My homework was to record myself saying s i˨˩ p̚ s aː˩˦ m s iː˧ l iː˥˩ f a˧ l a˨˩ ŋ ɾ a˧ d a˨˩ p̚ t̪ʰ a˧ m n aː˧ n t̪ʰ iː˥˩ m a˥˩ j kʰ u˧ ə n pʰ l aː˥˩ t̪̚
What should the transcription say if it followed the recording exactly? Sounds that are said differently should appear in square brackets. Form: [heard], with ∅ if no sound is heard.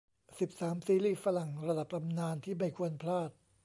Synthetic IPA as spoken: s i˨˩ p̚ s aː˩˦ m s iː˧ l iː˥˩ f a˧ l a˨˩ ŋ ɾ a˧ d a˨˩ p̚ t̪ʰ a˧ m n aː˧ n t̪ʰ iː˥˩ m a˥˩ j kʰ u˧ ə n pʰ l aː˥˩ t̪̚